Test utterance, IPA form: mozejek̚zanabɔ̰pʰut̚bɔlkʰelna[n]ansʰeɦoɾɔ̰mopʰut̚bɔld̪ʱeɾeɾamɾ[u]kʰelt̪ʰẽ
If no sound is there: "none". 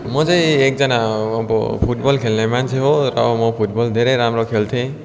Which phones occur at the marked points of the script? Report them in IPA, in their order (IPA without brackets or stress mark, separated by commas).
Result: m, ɔ